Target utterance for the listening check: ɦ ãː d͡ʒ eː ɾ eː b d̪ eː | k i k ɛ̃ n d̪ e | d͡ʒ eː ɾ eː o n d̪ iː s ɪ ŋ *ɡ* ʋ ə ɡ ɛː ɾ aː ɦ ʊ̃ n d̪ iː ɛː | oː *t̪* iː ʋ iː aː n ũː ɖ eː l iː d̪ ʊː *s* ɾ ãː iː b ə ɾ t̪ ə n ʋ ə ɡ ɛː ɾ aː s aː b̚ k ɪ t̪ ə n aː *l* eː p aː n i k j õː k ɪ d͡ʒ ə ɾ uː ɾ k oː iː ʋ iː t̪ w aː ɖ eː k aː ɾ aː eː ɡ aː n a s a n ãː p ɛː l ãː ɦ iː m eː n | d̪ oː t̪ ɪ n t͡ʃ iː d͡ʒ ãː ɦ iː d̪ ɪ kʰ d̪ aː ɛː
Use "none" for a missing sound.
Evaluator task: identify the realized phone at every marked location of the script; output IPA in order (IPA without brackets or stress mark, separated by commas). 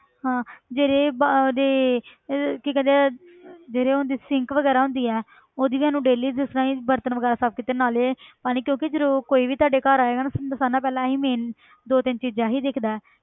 k, d̪, s, l